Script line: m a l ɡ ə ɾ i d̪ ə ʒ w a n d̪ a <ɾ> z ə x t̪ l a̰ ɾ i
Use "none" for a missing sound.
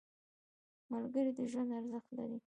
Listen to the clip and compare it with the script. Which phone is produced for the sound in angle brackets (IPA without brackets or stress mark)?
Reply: ɾ